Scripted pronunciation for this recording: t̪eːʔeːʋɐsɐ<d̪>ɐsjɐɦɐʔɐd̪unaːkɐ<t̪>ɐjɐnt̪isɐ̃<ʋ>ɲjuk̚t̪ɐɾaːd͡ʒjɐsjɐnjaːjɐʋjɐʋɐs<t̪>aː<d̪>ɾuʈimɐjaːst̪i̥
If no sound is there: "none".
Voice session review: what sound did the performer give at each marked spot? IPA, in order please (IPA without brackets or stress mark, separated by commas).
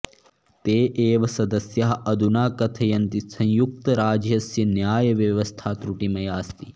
d̪, t̪ʰ, none, t̪ʰ, t̪